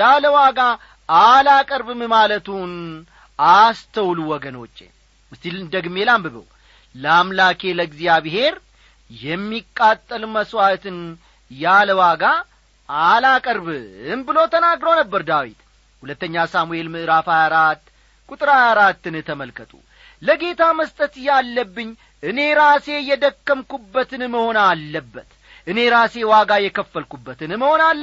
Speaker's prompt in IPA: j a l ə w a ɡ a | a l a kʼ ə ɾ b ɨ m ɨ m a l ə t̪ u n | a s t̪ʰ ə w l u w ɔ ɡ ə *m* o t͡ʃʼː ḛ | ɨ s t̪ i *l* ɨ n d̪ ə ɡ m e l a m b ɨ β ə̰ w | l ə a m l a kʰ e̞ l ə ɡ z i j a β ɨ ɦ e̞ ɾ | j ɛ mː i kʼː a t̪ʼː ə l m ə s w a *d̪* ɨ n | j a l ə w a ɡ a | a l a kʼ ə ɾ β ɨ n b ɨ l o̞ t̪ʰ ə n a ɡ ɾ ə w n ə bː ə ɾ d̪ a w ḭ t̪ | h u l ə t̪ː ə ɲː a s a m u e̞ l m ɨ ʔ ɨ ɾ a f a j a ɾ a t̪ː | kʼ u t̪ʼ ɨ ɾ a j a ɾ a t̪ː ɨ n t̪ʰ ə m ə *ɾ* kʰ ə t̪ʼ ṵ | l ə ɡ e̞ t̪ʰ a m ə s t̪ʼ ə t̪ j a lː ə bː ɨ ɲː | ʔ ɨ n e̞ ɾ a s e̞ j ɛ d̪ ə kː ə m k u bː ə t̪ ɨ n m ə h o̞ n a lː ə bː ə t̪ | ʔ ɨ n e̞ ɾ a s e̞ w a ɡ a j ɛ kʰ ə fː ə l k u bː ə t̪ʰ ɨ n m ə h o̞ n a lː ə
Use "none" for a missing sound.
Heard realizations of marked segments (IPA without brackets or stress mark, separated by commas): n, l, t̪, l